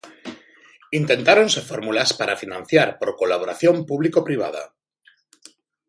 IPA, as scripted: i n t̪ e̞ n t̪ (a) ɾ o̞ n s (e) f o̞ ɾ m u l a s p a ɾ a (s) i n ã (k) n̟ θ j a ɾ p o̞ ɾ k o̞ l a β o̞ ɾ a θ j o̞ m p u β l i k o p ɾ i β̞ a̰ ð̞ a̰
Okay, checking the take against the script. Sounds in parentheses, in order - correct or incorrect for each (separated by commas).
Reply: correct, correct, incorrect, incorrect